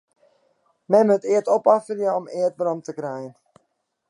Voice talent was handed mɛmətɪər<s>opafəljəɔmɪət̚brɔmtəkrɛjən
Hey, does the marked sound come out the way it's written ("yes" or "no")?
no